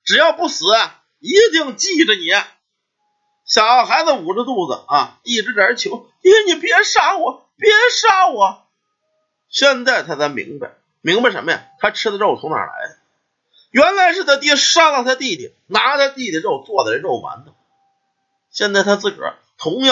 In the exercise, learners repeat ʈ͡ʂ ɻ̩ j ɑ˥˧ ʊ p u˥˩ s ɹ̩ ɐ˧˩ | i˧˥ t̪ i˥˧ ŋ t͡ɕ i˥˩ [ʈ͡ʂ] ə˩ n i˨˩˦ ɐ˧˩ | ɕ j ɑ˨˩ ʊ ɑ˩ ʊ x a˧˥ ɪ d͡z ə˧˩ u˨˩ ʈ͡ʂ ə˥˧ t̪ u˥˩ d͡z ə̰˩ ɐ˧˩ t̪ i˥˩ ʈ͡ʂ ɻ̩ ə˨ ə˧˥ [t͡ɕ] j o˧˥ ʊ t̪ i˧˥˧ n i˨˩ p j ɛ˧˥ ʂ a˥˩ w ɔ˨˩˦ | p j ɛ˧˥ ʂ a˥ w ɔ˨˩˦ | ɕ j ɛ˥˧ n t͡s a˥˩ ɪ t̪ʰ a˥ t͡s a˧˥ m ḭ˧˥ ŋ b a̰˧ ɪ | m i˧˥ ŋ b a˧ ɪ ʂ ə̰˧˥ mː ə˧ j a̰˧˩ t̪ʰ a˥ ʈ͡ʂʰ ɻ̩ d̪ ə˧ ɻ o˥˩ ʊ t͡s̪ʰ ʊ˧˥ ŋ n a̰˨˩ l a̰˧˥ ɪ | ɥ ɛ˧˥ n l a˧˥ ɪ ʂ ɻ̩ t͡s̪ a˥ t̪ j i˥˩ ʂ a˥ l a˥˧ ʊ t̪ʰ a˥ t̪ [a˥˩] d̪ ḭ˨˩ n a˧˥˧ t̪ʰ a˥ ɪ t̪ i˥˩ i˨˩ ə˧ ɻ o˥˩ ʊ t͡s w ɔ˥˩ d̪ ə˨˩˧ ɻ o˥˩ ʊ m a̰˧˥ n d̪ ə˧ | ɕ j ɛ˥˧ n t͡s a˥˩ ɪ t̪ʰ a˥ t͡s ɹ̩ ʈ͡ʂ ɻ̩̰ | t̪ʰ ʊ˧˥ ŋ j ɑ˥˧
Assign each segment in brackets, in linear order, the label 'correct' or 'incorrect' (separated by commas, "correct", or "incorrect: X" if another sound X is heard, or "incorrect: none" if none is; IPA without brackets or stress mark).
correct, incorrect: t͡ɕʰ, incorrect: i˥˩